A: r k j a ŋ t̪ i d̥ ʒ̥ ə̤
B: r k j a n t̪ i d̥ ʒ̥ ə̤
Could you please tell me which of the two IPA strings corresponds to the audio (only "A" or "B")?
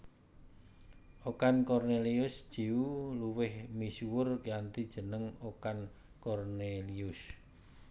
B